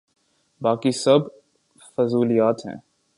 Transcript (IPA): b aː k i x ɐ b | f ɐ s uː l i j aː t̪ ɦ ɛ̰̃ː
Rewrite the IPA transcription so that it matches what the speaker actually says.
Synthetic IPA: b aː k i s ɐ b | f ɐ z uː l i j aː t̪ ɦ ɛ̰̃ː